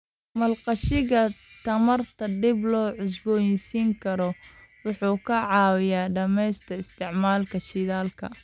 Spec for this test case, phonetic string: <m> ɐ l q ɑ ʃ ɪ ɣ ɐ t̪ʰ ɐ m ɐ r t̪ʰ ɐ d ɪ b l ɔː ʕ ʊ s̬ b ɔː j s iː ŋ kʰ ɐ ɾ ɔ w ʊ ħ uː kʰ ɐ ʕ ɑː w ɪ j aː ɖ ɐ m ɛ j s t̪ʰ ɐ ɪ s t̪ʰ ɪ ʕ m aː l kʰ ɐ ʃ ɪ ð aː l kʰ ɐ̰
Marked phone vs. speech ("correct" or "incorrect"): correct